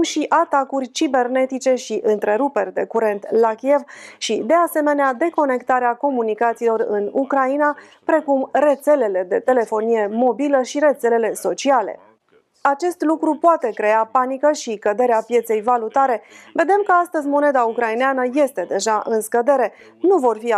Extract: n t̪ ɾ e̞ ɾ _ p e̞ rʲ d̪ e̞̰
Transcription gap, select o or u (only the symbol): u